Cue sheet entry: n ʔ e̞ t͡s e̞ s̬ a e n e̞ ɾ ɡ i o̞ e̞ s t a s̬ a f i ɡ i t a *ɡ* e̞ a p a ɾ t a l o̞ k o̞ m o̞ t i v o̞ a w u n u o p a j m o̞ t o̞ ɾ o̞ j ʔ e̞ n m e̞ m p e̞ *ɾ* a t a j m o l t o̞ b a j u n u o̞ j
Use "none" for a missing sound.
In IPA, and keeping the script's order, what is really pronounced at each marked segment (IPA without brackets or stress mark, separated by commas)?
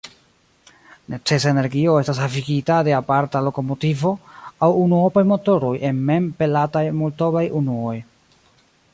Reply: d, l